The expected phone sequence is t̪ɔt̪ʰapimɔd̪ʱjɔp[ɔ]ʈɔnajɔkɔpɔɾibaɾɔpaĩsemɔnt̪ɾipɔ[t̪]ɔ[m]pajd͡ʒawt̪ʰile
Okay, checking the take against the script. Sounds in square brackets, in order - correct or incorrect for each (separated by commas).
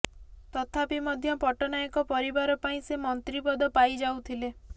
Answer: correct, incorrect, incorrect